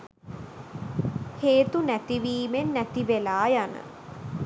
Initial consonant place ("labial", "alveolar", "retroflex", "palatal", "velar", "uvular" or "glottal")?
glottal